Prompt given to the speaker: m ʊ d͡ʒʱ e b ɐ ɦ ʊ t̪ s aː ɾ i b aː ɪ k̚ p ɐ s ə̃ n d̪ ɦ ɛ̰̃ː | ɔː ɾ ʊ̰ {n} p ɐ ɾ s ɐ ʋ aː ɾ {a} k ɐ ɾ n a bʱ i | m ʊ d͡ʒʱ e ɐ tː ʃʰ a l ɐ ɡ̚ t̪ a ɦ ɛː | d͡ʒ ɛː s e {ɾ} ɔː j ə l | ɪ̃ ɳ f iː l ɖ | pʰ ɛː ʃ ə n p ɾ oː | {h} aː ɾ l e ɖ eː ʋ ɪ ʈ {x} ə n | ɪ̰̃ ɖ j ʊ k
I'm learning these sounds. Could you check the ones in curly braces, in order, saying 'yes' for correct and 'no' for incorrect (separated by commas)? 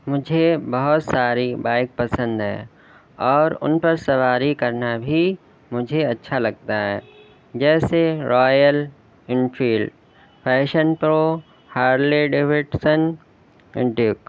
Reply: yes, no, yes, yes, no